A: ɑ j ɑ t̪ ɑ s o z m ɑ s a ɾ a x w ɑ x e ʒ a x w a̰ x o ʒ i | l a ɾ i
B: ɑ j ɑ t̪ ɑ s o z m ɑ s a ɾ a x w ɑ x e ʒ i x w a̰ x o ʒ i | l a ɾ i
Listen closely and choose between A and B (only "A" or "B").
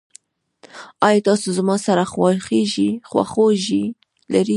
B